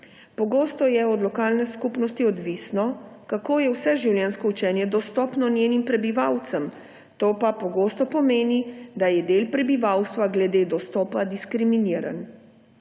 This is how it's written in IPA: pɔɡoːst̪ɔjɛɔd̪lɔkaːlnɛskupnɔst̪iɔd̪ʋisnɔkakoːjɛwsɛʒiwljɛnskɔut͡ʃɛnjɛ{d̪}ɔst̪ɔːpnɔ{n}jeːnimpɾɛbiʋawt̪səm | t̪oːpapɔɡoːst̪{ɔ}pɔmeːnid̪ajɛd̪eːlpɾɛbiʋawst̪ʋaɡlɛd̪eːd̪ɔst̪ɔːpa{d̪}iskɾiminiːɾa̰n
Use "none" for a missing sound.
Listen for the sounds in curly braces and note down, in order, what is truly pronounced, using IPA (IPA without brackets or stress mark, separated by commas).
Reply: d̪, n, ɔ, d̪